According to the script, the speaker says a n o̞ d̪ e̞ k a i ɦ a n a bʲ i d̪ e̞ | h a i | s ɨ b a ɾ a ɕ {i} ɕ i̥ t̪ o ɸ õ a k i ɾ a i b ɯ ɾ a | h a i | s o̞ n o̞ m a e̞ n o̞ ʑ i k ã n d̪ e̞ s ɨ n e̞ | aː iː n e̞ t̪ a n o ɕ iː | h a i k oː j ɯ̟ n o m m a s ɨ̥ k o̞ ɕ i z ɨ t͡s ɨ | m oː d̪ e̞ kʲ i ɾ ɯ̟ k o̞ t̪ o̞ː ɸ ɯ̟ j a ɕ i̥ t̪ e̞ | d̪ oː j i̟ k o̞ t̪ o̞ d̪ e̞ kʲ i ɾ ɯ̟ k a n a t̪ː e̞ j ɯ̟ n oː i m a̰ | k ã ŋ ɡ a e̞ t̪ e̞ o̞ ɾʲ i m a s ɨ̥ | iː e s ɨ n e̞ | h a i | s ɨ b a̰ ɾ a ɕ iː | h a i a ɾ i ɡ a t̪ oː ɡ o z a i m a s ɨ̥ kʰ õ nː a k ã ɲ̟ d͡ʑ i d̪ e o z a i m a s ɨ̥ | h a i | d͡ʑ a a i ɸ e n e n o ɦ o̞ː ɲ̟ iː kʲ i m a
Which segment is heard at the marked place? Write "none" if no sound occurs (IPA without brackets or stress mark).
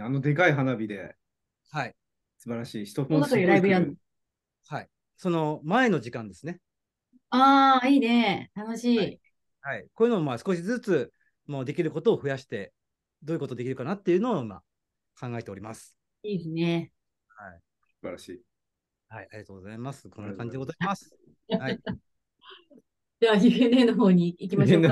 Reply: iː